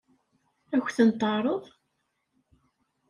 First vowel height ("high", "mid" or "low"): low